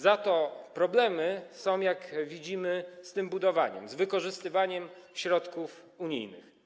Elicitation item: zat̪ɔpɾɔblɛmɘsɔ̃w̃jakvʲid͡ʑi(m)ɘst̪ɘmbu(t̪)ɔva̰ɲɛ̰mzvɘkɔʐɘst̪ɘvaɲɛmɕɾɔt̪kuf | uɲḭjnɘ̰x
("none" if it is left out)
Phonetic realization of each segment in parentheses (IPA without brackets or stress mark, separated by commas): m, d̪